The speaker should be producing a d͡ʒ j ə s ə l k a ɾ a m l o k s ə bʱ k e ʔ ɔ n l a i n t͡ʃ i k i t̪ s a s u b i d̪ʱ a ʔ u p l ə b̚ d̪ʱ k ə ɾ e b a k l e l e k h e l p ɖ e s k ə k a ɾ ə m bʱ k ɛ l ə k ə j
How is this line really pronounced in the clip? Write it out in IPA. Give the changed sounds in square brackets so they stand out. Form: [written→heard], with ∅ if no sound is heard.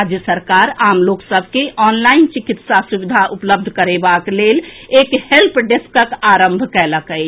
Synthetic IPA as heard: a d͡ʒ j ə s ə [l→ɾ] k a ɾ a m l o k s ə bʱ k e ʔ ɔ n l a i n t͡ʃ i k i t̪ s a s u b i d̪ʱ a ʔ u p l ə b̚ d̪ʱ k ə ɾ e b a k l e l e k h e l p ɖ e s k ə k a ɾ ə m bʱ k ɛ l ə k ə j